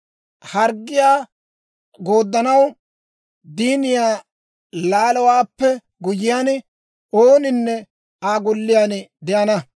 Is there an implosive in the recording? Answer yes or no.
no